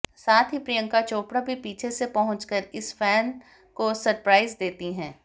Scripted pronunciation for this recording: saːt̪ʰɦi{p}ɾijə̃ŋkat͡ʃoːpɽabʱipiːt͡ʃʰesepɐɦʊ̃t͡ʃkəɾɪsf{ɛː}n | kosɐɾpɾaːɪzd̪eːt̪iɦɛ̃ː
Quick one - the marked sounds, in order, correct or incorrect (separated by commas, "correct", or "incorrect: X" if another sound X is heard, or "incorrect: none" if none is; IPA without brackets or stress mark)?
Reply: correct, correct